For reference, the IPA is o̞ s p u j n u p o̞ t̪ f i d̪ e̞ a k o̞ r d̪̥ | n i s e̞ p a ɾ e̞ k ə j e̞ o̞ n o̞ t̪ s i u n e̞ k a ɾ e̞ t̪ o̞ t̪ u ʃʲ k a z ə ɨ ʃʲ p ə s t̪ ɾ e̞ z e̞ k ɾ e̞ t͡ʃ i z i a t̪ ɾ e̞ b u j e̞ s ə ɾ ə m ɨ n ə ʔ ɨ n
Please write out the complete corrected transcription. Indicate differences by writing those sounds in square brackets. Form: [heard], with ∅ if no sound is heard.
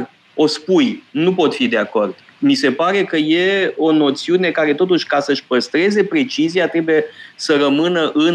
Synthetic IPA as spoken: o̞ s p u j n u p o̞ t̪ f i d̪ e̞ a k o̞ r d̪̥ | [m] i s e̞ p a ɾ e̞ k ə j e̞ o̞ n o̞ t̪ s i u n e̞ k a ɾ e̞ t̪ o̞ t̪ u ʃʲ k a [s] ə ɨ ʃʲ p ə s t̪ ɾ e̞ z e̞ [p] ɾ e̞ t͡ʃ i z i a t̪ ɾ e̞ b u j e̞ s ə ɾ ə m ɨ n ə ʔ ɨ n